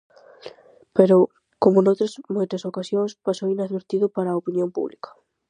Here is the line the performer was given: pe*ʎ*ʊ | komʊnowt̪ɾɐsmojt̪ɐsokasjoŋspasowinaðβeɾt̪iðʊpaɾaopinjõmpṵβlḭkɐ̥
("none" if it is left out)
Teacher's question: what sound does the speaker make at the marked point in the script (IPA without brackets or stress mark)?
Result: ɾ